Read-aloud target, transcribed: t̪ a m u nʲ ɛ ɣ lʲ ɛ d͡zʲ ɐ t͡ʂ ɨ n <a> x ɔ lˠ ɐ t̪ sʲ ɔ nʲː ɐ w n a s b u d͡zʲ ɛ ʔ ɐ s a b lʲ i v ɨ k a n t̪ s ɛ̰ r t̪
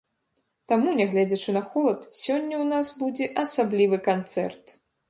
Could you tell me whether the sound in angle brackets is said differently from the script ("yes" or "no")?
yes